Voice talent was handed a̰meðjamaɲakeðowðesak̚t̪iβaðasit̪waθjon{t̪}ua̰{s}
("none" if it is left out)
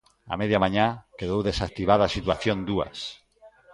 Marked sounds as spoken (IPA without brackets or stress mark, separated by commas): d̪, s